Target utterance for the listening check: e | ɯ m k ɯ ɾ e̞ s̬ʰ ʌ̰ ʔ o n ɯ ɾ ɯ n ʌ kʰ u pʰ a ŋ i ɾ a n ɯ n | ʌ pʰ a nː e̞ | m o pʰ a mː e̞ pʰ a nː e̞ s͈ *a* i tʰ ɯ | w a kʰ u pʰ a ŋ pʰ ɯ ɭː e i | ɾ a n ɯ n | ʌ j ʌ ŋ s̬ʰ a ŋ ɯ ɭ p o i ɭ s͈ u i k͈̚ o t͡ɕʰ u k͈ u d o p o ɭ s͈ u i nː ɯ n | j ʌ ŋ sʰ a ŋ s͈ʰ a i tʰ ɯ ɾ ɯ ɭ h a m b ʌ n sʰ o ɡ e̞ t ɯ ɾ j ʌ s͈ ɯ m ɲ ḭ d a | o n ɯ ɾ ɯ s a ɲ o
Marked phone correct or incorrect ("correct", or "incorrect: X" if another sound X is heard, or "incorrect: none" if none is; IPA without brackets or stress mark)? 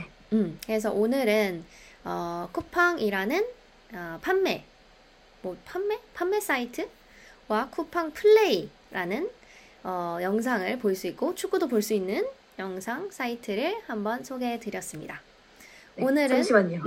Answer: correct